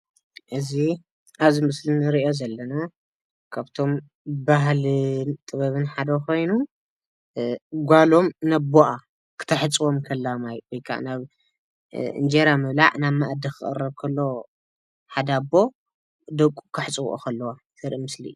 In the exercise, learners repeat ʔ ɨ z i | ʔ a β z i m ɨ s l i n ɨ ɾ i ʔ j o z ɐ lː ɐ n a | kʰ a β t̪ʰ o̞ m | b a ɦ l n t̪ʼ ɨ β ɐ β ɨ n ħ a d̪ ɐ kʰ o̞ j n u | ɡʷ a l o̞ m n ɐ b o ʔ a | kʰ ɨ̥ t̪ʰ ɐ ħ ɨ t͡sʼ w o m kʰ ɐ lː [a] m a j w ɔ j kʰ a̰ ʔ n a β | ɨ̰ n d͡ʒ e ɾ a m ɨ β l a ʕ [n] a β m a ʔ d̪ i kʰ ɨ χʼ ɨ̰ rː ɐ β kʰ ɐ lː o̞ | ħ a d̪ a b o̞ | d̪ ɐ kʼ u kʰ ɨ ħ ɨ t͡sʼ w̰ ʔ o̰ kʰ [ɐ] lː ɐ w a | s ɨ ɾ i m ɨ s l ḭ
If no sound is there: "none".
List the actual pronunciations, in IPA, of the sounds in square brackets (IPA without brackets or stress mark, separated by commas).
a, n, ɐ